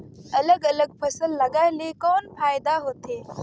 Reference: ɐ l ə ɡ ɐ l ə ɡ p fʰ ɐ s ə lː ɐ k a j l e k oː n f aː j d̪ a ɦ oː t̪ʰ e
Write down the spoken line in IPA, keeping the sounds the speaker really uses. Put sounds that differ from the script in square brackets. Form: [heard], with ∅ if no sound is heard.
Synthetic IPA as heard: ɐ l ə ɡ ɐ l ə ɡ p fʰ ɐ s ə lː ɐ [ɡ] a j l e k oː n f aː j d̪ a ɦ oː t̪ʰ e